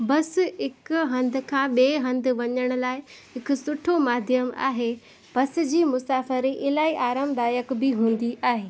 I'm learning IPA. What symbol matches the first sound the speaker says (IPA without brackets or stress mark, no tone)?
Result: b